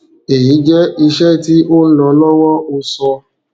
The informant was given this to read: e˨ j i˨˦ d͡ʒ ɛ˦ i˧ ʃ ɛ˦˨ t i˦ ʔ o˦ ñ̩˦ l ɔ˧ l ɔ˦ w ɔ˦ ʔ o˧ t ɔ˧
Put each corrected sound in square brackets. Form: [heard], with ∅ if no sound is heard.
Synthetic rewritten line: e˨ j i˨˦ d͡ʒ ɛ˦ i˧ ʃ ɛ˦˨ t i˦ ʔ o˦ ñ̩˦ l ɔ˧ l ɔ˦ w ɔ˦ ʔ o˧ [s] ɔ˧